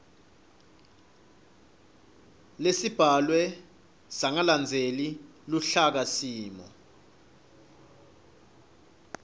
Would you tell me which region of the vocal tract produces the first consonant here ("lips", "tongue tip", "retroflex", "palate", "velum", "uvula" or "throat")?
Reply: tongue tip